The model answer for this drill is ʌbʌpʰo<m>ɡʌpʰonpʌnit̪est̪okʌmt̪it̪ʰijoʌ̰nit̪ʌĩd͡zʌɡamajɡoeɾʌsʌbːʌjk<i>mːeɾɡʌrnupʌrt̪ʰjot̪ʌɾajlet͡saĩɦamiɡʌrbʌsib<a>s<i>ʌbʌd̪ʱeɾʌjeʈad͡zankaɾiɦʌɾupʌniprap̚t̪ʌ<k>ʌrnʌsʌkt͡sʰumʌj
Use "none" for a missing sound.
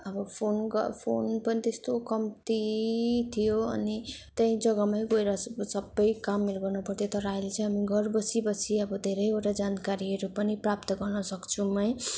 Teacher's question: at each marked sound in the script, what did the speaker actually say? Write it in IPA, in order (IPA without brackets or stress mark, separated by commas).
n, a, ʌ, i, ɡ